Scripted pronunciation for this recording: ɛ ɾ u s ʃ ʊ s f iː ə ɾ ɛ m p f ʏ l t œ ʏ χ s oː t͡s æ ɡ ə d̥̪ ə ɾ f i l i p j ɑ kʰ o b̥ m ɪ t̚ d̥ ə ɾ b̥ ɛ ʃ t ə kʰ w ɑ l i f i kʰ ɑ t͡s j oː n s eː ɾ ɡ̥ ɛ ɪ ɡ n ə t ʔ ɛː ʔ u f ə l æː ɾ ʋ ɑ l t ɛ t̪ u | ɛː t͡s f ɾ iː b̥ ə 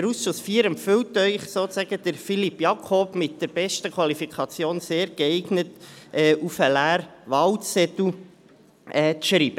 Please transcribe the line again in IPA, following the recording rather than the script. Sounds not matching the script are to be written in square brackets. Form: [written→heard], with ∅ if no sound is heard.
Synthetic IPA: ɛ ɾ u s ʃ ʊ s f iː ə ɾ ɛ m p f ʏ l t œ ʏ χ s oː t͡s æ ɡ ə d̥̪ ə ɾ f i l i p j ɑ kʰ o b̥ m ɪ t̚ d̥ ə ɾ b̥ ɛ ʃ t ə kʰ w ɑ l i f i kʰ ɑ t͡s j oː n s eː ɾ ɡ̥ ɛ ɪ ɡ n ə t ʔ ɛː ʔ u f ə l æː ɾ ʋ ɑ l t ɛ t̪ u | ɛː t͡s [f→ʃ] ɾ iː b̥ ə